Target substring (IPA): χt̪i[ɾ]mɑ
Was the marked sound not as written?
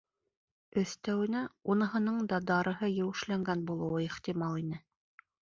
yes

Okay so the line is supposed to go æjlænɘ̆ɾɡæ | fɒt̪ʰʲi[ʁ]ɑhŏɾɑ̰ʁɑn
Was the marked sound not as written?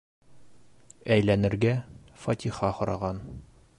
yes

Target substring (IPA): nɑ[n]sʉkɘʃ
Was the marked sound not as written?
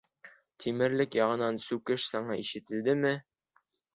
no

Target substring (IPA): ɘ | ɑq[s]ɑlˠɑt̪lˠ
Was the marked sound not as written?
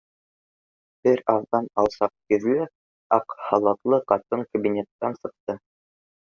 yes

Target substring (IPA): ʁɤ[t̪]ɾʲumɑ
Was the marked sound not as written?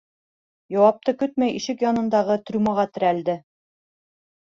no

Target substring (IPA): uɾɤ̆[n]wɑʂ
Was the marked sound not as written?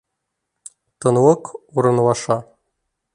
no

